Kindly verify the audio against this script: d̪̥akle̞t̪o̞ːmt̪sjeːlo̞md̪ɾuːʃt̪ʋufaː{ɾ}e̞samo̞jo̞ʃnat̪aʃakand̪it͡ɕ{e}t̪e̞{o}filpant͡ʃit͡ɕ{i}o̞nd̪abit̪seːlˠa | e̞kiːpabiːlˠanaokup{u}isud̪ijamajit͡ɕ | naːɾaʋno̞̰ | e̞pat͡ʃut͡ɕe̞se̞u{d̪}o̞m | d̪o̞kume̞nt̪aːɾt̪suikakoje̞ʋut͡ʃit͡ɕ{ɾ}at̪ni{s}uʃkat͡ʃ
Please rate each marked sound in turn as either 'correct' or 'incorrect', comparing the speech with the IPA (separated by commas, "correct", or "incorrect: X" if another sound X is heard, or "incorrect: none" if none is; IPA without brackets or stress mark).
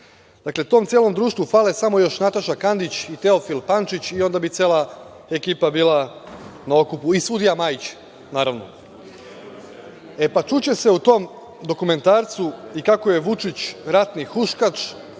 incorrect: l, incorrect: i, correct, correct, correct, incorrect: t̪, correct, incorrect: x